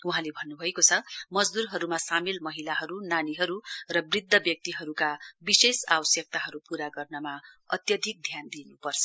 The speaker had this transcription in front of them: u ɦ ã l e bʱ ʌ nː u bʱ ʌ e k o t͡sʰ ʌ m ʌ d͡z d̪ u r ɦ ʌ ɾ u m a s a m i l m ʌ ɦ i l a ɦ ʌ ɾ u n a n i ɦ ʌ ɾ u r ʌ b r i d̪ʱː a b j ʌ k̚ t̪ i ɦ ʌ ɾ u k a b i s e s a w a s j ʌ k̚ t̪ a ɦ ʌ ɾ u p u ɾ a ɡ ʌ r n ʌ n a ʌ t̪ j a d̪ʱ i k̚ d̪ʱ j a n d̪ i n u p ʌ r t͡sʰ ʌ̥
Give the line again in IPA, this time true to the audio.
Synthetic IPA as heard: u ɦ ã l e bʱ ʌ nː u bʱ ʌ e k o t͡sʰ ʌ m ʌ d͡z d̪ u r ɦ ʌ ɾ u m a s a m i l m ʌ ɦ i l a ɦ ʌ ɾ u n a n i ɦ ʌ ɾ u r ʌ b r i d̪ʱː ʌ b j ʌ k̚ t̪ i ɦ ʌ ɾ u k a b i s e s a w ʌ s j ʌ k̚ t̪ a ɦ ʌ ɾ u p u ɾ a ɡ ʌ r n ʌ m a ʌ t̪ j ʌ d̪ʱ i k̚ d̪ʱ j a n d̪ i n u p ʌ r t͡sʰ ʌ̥

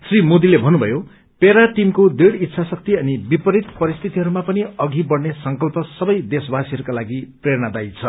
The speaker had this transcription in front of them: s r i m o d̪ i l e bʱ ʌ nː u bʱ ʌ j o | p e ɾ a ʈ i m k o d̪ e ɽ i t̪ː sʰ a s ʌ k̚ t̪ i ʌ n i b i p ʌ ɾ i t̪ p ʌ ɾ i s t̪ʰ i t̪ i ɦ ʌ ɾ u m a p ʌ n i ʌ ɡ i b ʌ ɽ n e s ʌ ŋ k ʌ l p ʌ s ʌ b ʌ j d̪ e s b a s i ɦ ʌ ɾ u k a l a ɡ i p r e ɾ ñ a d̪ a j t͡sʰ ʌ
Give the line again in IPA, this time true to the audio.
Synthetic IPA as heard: s r i m o d̪ i l e bʱ ʌ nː u bʱ ʌ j o | p e ɾ a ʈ i m k o d̪ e ɽ i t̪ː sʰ a s ʌ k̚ t̪ i ʌ n i b i p ʌ ɾ i t̪ p ʌ ɾ i s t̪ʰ i t̪ i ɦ ʌ ɾ u m a p ʌ n i ʌ ɡ i b ʌ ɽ n e s ʌ ŋ k ʌ l p ʌ s ʌ b ʌ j d̪ e s b a s i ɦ ʌ ɾ u k a l a ɡ i p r e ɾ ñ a d̪ a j t͡sʰ ʌ

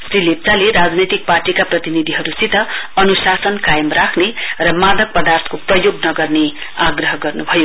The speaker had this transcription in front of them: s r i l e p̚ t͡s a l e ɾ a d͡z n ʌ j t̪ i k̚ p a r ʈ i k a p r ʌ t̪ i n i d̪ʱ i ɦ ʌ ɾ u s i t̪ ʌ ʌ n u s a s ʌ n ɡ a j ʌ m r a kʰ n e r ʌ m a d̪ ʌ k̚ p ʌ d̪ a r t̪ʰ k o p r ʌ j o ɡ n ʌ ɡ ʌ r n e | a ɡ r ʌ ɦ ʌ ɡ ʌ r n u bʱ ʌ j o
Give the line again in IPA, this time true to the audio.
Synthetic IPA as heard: s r i l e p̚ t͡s a l e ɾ a d͡z n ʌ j t̪ i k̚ p a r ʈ i k a p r ʌ t̪ i n i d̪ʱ i ɦ ʌ ɾ u s i t̪ ʌ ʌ n u s a s ʌ n k a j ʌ m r a kʰ n e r ʌ m a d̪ ʌ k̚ p ʌ d̪ a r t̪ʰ k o p r ʌ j o ɡ n ʌ ɡ ʌ r n e | a ɡ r ʌ ɦ ʌ ɡ ʌ r n u bʱ ʌ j o

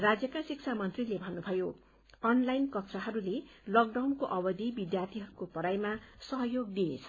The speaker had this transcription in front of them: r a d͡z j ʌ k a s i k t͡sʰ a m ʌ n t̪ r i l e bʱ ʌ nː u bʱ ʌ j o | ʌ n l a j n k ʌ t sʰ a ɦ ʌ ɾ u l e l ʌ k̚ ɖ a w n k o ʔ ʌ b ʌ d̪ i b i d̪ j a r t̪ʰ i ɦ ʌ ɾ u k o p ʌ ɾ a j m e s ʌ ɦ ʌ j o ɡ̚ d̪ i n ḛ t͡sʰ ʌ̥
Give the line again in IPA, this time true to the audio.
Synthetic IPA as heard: r a d͡z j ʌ k a s i k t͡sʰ a m ʌ n t̪ r i l e bʱ ʌ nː u bʱ ʌ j o | ʌ n l a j n k ʌ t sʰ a ɦ ʌ ɾ u l e l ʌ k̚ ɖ a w n k o ʔ ʌ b ʌ d̪ i b i d̪ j a r t̪ʰ i ɦ ʌ ɾ u k o p ʌ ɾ a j m a s ʌ ɦ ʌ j o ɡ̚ d̪ i n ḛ t͡sʰ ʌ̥

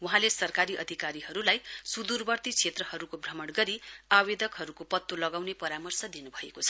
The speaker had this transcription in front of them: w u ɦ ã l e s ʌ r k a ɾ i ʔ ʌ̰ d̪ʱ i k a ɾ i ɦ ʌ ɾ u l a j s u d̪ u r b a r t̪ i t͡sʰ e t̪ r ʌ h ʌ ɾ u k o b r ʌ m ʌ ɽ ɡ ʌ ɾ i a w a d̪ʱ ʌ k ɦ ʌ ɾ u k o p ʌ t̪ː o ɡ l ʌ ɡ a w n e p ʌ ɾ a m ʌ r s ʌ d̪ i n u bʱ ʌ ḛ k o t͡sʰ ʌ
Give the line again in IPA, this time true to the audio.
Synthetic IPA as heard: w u ɦ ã l e s ʌ r k a ɾ i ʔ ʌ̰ d̪ʱ i k a ɾ i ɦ ʌ ɾ u l a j s u d̪ u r b ʌ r t̪ i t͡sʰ e t̪ r ʌ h ʌ ɾ u k o b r ʌ m ʌ ɽ ɡ ʌ ɾ i a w e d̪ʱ ʌ k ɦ ʌ ɾ u k o p ʌ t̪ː o l ʌ ɡ a w n e p ʌ ɾ a m ʌ r s ʌ d̪ i n u bʱ ʌ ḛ k o t͡sʰ ʌ

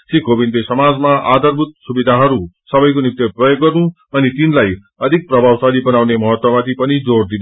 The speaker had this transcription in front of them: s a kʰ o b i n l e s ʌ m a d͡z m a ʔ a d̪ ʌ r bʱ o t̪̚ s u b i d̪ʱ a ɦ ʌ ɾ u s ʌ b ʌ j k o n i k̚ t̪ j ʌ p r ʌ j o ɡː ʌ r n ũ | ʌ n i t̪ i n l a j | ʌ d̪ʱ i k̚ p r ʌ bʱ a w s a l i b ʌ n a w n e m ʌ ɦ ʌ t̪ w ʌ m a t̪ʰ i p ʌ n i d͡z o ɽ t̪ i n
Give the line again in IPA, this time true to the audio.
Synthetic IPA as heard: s i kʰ o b i n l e s ʌ m a d͡z m a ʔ a d̪ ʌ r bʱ u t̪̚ s u b i d̪ʱ a ɦ ʌ ɾ u s ʌ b ʌ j k o n i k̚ t̪ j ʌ p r ʌ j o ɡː ʌ r n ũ | ʌ n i t̪ i n l a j | ʌ d̪ʱ i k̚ p r ʌ bʱ a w s a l i b ʌ n a w n e m ʌ ɦ ʌ t̪ w ʌ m a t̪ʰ i p ʌ n i d͡z o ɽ d̪ i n

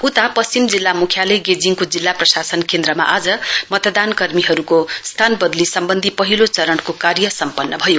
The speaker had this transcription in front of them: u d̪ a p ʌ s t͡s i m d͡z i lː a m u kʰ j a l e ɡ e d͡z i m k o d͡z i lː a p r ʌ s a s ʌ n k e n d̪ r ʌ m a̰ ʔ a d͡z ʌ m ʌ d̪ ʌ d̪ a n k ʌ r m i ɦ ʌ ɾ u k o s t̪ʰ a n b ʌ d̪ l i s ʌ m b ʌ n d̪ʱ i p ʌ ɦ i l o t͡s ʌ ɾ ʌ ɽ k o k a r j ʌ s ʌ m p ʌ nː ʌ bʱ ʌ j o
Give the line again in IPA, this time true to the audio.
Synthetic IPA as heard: u t̪ a p ʌ s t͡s i m d͡z i lː a m u kʰ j a l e ɡ e d͡z i ŋ k o d͡z i lː a p r ʌ s a s ʌ n k e n d̪ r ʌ m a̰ ʔ a d͡z ʌ m ʌ t̪ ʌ d̪ a n k ʌ r m i ɦ ʌ ɾ u k o s t̪ʰ a n b ʌ d̪ l i s ʌ m b ʌ n d̪ʱ i p ʌ ɦ i l o t͡s ʌ ɾ ʌ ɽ k o k a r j ʌ s ʌ m p ʌ nː ʌ bʱ ʌ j o

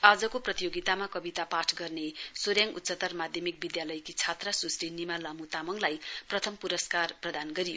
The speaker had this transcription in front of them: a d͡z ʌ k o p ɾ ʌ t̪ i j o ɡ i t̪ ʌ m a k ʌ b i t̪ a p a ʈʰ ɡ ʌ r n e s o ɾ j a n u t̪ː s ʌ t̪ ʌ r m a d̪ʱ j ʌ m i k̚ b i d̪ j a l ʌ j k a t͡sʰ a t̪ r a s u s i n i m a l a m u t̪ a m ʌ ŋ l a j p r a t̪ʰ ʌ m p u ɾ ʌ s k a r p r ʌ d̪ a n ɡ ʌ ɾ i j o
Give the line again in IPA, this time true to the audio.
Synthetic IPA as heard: a d͡z ʌ k o p r ʌ t̪ i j o ɡ i t̪ a m a k ʌ b i t̪ a p a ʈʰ ɡ ʌ r n e s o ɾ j a ŋ u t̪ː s ʌ t̪ ʌ r m a d̪ʱ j ʌ m i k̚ b i d̪ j a l ʌ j k i t͡sʰ a t̪ r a s u s i n i m a l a m u t̪ a m ʌ ŋ l a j p r ʌ t̪ʰ ʌ m p u ɾ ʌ s k a r p r ʌ d̪ a n ɡ ʌ ɾ i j o

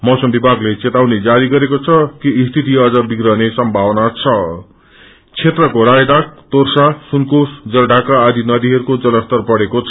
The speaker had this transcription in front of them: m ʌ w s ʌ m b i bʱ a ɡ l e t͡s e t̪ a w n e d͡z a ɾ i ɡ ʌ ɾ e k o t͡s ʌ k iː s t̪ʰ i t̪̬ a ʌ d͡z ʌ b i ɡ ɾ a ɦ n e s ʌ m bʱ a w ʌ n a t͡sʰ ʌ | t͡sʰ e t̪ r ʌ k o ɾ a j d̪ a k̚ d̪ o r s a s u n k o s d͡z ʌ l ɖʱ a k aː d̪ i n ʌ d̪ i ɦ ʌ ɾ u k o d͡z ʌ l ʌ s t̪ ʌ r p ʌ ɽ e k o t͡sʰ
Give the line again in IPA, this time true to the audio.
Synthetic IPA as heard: m ʌ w s ʌ m b i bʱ a ɡ l e t͡s e t̪ a w n e d͡z a ɾ i ɡ ʌ ɾ e k o t͡sʰ ʌ k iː s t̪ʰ i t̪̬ i ʌ d͡z ʌ b i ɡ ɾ ʌ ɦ n e s ʌ m bʱ a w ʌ n a t͡sʰ ʌ | t͡sʰ e t̪ r ʌ k o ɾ a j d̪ a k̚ t̪ o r s a s u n k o s d͡z ʌ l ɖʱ a k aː d̪ i n ʌ d̪ i ɦ ʌ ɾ u k o d͡z ʌ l ʌ s t̪ ʌ r p ʌ ɽ e k o t͡sʰ

